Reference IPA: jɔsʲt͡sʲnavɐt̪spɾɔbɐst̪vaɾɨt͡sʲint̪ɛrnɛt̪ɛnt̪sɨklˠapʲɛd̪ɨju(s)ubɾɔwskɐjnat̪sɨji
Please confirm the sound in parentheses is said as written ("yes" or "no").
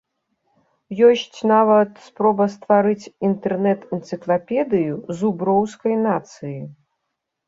no